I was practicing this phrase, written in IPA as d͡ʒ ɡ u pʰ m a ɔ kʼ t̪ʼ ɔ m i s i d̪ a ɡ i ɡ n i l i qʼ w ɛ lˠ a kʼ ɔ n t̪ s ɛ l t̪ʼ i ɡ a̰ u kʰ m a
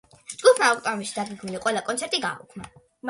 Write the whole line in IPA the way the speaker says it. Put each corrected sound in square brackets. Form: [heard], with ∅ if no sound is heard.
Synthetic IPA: d͡ʒ ɡ u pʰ m a ɔ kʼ t̪ʼ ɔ m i [ʃ] i d̪ a ɡ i ɡ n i l i qʼ w ɛ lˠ a kʼ ɔ n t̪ s ɛ [ɾ] t̪ʼ i ɡ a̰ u kʰ m a